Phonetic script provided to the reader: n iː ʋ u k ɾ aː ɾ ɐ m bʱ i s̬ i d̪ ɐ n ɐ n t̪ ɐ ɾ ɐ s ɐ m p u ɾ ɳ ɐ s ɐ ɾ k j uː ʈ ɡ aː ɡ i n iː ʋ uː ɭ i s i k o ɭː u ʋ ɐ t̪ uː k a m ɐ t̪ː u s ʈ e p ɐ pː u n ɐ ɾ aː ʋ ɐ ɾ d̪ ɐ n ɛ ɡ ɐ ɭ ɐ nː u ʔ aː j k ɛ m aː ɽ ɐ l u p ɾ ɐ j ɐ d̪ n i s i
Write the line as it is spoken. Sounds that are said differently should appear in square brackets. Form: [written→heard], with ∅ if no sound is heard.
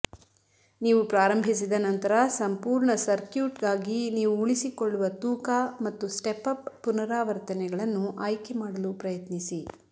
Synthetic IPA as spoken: n iː ʋ u [k→p] ɾ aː ɾ ɐ m bʱ i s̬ i d̪ ɐ n ɐ n t̪ ɐ ɾ ɐ s ɐ m p [u→uː] ɾ ɳ ɐ s ɐ ɾ k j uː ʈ ɡ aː ɡ i n iː ʋ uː ɭ i s i k o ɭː u ʋ ɐ t̪ uː k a m ɐ t̪ː u s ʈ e p ɐ pː u n ɐ ɾ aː ʋ ɐ ɾ [d̪→t̪] ɐ n ɛ ɡ ɐ ɭ ɐ nː u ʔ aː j k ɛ m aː ɽ ɐ l u p ɾ ɐ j ɐ [d̪→t̪] n i s i